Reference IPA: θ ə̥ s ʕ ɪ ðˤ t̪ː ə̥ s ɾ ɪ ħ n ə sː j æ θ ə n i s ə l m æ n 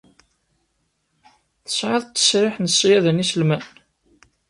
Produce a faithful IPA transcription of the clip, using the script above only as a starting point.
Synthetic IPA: θ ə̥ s ʕ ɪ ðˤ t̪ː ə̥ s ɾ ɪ ħ n ə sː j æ ð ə n i s ə l m æ n